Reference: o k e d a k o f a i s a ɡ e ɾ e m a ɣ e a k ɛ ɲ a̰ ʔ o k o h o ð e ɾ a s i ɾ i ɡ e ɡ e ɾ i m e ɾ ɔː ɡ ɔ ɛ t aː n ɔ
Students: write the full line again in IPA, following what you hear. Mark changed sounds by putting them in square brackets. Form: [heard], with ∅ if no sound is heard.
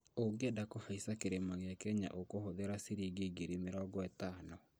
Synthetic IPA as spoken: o [ɡ] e d a k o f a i s a [k] e ɾ e m a ɣ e a k ɛ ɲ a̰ ʔ o k o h o ð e ɾ a s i ɾ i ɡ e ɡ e ɾ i m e ɾ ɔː ɡ ɔ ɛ t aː n ɔ